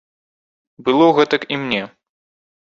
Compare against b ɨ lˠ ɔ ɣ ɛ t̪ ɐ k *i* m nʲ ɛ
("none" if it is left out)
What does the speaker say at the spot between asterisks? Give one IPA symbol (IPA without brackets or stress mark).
i